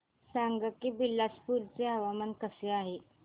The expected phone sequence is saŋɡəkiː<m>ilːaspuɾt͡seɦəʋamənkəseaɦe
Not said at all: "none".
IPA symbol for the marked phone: b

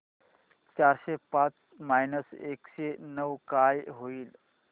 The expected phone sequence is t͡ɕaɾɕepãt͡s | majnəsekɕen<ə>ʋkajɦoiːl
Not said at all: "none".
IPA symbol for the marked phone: ə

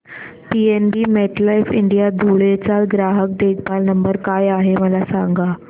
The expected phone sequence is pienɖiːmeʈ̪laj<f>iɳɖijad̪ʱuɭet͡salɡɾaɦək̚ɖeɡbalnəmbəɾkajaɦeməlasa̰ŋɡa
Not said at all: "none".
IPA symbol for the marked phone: f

